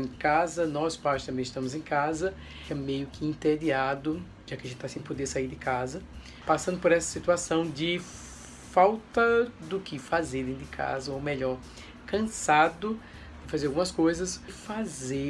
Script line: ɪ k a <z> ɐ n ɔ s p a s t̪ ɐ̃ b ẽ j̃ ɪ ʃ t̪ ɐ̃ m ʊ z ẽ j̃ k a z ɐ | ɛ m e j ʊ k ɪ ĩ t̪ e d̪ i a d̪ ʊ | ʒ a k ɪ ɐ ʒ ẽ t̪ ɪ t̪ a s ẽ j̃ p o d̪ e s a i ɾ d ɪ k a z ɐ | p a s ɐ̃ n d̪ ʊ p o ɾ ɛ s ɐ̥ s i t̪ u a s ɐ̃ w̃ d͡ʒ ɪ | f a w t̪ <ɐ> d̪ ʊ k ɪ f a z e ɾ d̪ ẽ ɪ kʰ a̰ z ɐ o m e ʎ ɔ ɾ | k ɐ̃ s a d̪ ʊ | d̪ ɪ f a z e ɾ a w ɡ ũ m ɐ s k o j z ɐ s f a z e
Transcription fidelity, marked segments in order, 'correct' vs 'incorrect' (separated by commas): correct, correct